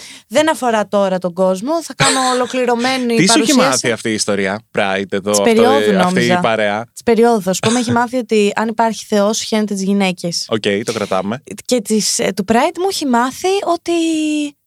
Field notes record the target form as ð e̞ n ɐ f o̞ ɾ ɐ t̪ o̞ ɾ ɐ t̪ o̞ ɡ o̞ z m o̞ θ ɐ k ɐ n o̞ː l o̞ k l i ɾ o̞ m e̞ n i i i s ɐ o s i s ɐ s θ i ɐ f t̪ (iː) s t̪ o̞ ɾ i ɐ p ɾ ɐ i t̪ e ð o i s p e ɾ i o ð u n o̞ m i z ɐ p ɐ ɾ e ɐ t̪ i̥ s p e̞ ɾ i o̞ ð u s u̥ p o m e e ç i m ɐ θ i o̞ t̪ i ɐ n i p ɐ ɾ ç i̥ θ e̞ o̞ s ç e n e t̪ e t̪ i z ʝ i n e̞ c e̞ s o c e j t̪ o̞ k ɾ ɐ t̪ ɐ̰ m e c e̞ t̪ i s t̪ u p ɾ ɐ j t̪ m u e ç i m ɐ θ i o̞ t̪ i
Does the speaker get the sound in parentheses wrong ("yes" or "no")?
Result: no